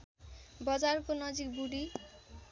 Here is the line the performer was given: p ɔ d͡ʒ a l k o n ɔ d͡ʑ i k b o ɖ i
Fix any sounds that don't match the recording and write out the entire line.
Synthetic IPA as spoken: b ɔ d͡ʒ a ɾ k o n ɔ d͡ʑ i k b u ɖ i

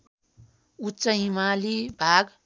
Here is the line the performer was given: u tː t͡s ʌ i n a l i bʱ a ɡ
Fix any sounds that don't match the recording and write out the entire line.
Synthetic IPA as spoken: u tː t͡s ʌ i m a l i bʱ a ɡ

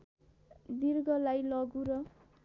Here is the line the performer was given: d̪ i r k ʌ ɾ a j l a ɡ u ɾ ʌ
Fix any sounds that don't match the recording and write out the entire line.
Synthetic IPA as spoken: d̪ i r ɡ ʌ l a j l ʌ ɡ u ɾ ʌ

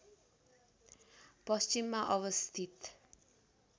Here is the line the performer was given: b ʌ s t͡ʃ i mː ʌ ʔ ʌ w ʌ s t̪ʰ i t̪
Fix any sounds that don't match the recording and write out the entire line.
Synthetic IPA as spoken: p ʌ s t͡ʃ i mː a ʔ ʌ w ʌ s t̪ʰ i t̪

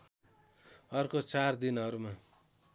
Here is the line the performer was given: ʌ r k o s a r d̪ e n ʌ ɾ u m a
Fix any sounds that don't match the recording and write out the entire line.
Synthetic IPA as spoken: ʌ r k o t͡s a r d̪ i n ʌ ɾ u m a

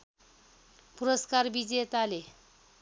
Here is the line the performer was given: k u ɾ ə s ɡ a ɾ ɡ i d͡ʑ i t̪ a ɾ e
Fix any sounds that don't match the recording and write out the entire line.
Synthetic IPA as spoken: p u ɾ ə s k a ɾ b i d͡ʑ e t̪ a l e

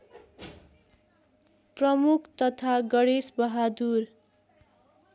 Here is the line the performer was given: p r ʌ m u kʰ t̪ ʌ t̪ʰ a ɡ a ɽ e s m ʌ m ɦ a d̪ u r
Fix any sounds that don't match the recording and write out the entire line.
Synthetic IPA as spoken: p r ʌ m u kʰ t̪ ʌ t̪ʰ a ɡ ʌ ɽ e s b ʌ ɦ a d̪ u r

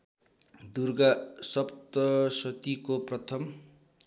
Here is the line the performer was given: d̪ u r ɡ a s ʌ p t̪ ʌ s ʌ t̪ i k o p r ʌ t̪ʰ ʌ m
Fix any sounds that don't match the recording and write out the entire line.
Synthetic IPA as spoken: d̪ u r ɡ a s ʌ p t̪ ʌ s ʌ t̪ i k o p r ʌ t̪ʰ ʌ m

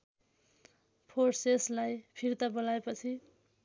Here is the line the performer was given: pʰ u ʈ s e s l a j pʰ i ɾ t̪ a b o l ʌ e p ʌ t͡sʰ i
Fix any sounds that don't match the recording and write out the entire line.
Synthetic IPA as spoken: pʰ o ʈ s e s l a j pʰ i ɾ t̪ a b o l a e p ʌ t͡sʰ i

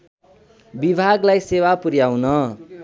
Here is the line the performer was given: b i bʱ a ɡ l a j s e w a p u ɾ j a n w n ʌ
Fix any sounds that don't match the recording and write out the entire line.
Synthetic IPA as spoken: b i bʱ a ɡ l a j s e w a p u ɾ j a w n ʌ

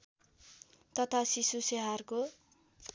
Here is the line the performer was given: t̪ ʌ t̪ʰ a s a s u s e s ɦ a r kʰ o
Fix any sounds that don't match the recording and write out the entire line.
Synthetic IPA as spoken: t̪ ʌ t̪ʰ a s i s u s e ɦ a r k o

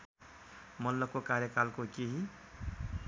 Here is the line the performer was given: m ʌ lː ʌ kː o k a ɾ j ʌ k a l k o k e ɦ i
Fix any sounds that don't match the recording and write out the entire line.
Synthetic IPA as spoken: m ʌ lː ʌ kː o k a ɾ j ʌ k a l k o k e ɦ i

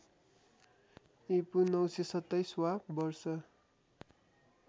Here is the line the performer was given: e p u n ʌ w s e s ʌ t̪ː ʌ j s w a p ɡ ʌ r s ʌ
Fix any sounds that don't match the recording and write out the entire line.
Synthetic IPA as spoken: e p u n ʌ w s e s ʌ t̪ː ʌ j s w a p b ʌ r s ʌ

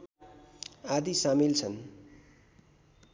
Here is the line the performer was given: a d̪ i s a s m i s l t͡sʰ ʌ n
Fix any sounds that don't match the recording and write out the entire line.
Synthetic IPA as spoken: a d̪ i s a m i l t͡sʰ ʌ n

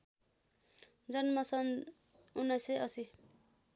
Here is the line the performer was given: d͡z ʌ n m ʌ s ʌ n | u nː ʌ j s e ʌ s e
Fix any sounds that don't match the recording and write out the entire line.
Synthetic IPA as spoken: d͡z ʌ n m ʌ s ʌ n | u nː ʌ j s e ʌ s i

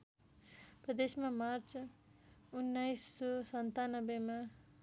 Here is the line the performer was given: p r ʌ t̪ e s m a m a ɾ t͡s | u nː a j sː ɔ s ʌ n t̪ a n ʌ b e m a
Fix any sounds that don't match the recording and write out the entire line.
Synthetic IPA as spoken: p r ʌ d̪ e s m a m a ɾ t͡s | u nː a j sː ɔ s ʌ n t̪ a n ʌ b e m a

